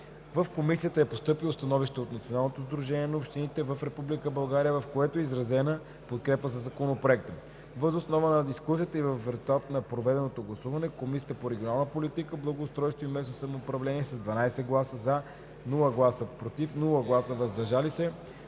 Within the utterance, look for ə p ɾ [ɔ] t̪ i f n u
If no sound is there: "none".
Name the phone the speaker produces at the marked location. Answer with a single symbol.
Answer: o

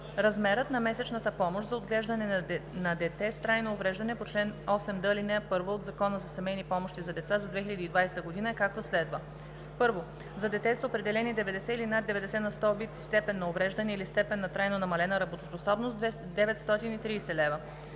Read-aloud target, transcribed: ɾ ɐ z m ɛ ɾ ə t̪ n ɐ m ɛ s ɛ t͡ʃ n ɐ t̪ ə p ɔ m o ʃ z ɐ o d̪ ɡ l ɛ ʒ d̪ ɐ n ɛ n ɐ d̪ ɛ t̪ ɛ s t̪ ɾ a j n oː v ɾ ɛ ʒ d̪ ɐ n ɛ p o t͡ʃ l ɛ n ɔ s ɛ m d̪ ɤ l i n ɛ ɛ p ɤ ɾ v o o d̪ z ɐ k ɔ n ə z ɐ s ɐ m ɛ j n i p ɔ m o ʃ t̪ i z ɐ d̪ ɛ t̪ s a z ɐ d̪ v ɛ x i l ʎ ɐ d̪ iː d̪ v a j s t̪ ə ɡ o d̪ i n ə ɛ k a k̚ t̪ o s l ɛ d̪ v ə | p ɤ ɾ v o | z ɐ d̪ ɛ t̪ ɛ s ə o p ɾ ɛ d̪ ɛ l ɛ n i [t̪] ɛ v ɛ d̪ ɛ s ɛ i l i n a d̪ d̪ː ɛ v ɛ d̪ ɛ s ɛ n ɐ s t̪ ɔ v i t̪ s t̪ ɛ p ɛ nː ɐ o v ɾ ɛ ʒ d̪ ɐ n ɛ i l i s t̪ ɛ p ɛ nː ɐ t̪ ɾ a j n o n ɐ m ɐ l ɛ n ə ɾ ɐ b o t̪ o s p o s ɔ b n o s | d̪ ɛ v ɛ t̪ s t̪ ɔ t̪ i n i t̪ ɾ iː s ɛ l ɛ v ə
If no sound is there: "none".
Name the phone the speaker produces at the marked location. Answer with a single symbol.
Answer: d̪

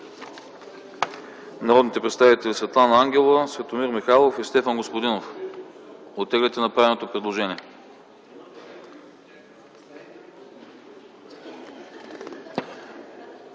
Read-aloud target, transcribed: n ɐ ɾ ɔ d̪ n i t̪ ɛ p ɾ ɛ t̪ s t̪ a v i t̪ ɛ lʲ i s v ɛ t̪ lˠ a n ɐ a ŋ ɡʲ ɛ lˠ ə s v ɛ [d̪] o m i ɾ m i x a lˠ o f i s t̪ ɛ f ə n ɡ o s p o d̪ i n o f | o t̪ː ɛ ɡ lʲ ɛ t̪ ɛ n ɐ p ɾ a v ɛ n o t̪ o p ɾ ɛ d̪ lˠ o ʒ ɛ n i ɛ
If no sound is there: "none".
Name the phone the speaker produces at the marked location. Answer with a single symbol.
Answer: t̪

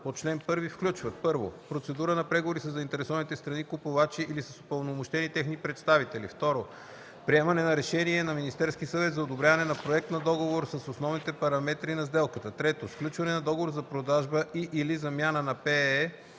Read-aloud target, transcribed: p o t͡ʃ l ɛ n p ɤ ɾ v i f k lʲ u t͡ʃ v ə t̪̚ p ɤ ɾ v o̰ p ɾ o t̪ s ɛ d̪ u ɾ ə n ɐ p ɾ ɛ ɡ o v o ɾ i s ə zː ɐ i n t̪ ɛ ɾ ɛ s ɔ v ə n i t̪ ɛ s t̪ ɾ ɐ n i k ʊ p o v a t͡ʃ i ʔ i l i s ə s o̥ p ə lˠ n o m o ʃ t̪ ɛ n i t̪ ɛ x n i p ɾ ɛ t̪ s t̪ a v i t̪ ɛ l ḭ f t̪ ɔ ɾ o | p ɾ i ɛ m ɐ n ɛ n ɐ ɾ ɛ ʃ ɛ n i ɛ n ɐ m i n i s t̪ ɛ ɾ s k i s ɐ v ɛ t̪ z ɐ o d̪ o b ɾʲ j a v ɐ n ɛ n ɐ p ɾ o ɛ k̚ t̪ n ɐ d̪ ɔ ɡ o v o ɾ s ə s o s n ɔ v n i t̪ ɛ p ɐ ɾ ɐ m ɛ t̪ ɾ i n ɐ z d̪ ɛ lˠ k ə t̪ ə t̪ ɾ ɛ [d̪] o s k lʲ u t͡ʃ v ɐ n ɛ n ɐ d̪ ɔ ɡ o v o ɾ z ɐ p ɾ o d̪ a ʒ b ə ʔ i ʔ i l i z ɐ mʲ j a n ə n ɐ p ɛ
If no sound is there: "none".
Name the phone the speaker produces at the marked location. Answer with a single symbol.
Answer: t̪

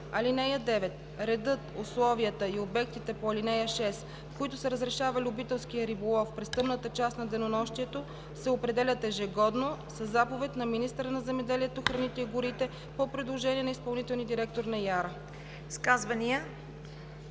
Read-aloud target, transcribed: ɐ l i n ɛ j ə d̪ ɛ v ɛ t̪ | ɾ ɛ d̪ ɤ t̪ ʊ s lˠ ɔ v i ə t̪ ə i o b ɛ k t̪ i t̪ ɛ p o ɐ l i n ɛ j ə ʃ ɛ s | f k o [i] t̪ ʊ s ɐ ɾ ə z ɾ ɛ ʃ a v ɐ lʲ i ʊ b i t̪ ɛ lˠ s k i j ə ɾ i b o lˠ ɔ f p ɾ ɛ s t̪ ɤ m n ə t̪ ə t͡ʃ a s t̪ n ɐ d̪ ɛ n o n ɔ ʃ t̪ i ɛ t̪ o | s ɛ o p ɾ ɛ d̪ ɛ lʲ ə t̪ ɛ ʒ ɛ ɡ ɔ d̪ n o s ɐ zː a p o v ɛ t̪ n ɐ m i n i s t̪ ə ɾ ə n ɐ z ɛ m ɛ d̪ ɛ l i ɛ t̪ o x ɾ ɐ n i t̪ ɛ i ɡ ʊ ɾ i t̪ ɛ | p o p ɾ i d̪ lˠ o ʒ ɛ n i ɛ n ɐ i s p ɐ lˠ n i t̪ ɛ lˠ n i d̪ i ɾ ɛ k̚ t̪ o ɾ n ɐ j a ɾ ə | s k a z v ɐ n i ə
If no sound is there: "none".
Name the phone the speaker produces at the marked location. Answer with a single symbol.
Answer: i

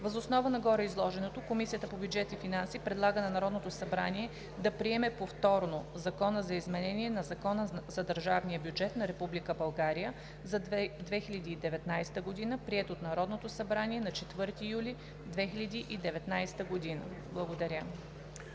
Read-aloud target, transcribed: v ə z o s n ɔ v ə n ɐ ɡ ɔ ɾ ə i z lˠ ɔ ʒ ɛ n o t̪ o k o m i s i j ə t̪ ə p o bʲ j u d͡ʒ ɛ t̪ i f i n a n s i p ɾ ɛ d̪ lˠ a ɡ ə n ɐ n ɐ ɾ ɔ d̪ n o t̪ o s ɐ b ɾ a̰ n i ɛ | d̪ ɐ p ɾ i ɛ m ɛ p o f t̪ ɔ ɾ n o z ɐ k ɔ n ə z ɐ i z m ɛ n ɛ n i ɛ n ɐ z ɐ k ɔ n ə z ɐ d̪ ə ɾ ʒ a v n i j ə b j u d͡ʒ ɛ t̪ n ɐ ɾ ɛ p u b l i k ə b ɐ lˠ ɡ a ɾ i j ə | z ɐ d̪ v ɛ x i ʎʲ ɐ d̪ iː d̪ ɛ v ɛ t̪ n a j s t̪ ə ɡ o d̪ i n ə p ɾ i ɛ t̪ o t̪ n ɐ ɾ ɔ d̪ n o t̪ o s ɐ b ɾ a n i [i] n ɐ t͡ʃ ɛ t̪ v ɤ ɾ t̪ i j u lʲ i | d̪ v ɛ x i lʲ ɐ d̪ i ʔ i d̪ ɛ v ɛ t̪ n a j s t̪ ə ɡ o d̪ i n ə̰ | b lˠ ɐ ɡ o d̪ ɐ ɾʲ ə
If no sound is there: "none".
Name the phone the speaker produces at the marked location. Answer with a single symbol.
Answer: ɛ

